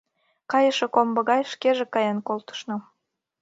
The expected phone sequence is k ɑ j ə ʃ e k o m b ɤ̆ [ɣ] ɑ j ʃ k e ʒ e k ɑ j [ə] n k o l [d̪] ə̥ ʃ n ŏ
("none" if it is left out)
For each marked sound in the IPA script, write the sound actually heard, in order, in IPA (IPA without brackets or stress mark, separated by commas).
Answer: ɣ, ɑ, t̪